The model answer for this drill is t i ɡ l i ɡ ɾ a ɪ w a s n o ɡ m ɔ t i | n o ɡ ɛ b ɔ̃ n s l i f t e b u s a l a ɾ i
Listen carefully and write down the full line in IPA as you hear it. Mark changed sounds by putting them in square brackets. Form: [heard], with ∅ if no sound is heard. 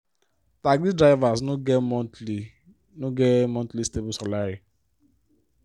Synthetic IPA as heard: t [a] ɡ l i [d] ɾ a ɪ [v] a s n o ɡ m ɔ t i | n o ɡ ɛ [m] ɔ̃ n [t] l i [s] t e b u s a l a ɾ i